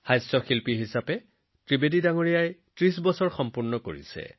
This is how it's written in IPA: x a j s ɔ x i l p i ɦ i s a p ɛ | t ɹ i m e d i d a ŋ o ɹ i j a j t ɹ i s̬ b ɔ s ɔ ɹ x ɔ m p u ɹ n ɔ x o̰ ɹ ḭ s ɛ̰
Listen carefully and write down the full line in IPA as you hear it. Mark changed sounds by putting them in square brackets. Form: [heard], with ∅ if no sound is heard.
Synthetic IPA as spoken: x a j s ɔ x i l p i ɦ i s a p ɛ | t ɹ i [b] e d i d a ŋ o ɹ i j a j t ɹ i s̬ b ɔ s ɔ ɹ x ɔ m p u ɹ n ɔ [k] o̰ ɹ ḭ s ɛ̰

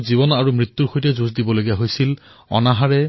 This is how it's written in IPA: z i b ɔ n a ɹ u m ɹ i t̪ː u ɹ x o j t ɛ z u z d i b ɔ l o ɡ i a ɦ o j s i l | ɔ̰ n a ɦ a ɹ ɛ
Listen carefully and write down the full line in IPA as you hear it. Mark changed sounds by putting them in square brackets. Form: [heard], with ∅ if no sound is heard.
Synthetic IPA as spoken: z i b ɔ n a ɹ u m ɹ i t̪ː u ɹ x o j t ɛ z u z d i b ɔ l o ɡ i a ɦ o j s i l | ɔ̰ n a ɦ a ɹ ɛ

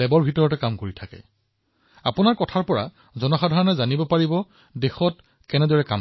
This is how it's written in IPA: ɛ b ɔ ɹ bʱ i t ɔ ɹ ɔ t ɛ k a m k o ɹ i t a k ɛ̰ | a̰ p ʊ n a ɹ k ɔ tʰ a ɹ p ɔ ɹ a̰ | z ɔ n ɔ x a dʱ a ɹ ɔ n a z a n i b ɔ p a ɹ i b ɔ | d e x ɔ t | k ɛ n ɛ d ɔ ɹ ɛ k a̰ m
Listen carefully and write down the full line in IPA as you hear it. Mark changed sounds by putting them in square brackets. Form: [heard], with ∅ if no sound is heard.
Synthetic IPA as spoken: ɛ b ɔ ɹ bʱ i t ɔ ɹ ɔ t ɛ k a m k o ɹ i [tʰ] a k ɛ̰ | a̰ p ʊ n a ɹ k ɔ tʰ a ɹ p ɔ ɹ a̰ | z ɔ n ɔ x a dʱ a ɹ ɔ n [ɛ] z a n i b ɔ p a ɹ i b ɔ | d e x ɔ t | k ɛ n ɛ d ɔ ɹ ɛ k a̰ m

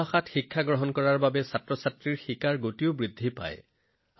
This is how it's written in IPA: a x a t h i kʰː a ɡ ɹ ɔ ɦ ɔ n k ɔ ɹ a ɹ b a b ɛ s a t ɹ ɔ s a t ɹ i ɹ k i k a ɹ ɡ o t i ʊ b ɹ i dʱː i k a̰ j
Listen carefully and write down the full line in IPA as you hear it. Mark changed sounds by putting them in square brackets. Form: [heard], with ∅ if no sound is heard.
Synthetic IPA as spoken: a x a t [x] i kʰː a ɡ ɹ ɔ ɦ ɔ n k ɔ ɹ a ɹ b a b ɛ s a t ɹ ɔ s a t ɹ i ɹ [x] i k a ɹ ɡ o t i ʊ b ɹ i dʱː i [p] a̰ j

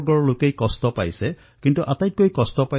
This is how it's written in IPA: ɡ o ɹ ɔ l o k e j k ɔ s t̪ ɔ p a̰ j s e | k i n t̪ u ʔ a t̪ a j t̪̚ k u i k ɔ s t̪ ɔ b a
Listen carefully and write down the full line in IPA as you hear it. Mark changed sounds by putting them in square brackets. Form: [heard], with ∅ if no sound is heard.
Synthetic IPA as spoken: ɡ [ɔ] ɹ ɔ l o k e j k ɔ s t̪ ɔ p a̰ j s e | k i n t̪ u ʔ a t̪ a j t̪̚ k [o] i k ɔ s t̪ ɔ [p] a

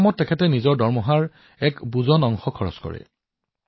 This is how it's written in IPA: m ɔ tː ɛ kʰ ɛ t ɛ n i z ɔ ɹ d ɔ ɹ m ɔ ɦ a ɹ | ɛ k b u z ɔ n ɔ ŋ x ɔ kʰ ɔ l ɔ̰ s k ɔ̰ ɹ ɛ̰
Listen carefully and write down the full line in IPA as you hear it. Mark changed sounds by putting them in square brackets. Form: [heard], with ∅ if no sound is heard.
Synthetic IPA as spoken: m ɔ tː ɛ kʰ ɛ t ɛ n i z ɔ ɹ d ɔ ɹ m ɔ ɦ a ɹ | ɛ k b u z ɔ n ɔ ŋ x ɔ kʰ ɔ [ɹ] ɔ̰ s k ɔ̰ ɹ ɛ̰

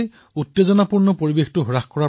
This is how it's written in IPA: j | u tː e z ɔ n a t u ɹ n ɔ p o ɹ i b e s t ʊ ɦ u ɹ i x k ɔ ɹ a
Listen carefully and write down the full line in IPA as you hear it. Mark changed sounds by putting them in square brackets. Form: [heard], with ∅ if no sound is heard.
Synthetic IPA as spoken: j | u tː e z ɔ n a [p] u ɹ n ɔ p o ɹ i b e [x] t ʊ ɦ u ɹ [a] x k ɔ ɹ a

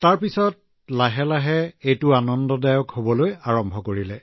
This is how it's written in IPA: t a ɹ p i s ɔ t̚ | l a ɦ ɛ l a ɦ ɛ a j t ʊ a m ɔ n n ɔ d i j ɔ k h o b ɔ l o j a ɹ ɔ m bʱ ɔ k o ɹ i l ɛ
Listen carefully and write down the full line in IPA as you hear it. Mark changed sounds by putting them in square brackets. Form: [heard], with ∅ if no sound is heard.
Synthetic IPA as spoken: t a ɹ p i s ɔ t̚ | l a ɦ ɛ l a ɦ ɛ [e] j t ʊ a [n] ɔ n [d] ɔ d [a] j ɔ k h o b ɔ l o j a ɹ ɔ m bʱ ɔ k o ɹ i l ɛ

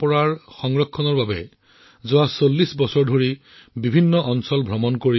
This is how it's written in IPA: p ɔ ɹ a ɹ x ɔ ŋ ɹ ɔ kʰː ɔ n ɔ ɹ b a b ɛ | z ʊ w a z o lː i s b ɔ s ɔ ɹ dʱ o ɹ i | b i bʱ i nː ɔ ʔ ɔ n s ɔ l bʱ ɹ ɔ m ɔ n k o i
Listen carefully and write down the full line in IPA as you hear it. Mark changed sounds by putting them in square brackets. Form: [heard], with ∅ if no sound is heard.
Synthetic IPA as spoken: p ɔ ɹ a ɹ x ɔ ŋ ɹ ɔ kʰː ɔ n ɔ ɹ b a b ɛ | z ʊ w a [s] o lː i s b ɔ s ɔ ɹ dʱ o ɹ i | b i bʱ i nː ɔ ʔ ɔ n s ɔ l bʱ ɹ ɔ m ɔ n k o i

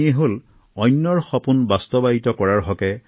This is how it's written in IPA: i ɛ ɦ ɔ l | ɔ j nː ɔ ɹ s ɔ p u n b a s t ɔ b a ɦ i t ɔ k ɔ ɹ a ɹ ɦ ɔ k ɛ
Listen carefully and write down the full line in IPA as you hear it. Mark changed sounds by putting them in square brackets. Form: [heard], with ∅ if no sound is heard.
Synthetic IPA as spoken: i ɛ ɦ [o] l | ɔ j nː ɔ ɹ [x] ɔ p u n b a s t ɔ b a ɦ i t ɔ k ɔ ɹ a ɹ ɦ ɔ k ɛ

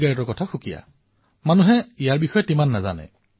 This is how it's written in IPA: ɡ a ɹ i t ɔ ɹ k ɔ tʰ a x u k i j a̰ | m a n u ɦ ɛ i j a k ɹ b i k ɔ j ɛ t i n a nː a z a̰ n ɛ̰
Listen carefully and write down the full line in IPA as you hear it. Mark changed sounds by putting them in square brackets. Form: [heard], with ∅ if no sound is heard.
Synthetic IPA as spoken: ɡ a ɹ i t ɔ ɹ k ɔ tʰ a x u k i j a̰ | m a n u ɦ ɛ i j a [∅] ɹ b i [x] ɔ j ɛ t i [m] a nː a z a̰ n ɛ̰

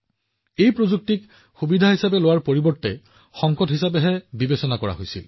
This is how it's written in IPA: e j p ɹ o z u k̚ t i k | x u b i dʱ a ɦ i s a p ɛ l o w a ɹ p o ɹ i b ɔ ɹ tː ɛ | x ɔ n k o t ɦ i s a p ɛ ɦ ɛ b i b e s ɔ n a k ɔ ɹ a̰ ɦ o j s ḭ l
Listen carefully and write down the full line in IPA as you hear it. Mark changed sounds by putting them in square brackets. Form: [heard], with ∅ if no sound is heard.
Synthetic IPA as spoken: e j p ɹ o z u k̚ t i k | x u b i dʱ a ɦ i s a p ɛ l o w a ɹ p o ɹ i b ɔ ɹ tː ɛ | x ɔ [ŋ] k [ɔ] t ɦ i s a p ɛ ɦ ɛ b i b e s ɔ n a k ɔ ɹ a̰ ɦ o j s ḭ l

